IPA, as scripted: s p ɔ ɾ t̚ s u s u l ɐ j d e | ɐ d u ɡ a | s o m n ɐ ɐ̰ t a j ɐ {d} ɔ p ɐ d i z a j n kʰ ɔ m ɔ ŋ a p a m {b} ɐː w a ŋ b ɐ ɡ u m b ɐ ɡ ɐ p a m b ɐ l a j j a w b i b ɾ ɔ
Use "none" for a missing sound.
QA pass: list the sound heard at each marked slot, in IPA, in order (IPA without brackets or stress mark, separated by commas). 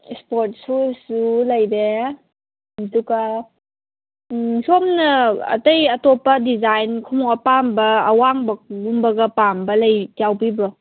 t, b